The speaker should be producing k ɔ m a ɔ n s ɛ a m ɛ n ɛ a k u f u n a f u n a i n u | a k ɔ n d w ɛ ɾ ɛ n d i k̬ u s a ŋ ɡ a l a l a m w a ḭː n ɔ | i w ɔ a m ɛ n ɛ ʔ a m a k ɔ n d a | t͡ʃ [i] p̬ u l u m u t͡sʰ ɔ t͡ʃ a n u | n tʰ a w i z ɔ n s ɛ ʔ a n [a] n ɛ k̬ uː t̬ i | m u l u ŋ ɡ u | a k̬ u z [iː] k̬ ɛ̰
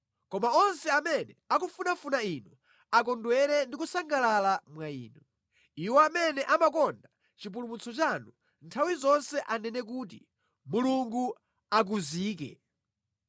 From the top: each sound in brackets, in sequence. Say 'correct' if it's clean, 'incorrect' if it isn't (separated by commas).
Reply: correct, incorrect, correct